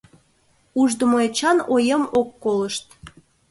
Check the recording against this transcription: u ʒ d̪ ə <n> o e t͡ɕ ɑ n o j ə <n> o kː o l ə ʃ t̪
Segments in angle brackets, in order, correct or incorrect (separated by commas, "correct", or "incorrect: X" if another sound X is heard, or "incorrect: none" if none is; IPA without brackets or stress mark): incorrect: m, incorrect: m